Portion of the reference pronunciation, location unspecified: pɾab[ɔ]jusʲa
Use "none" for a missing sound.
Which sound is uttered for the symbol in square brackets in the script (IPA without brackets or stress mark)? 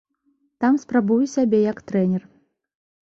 u